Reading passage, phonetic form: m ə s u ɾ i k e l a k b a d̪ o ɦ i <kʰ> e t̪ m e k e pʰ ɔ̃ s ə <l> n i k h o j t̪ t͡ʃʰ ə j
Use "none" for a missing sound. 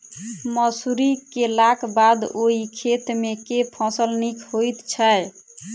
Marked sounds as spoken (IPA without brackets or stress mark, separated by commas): kʰ, l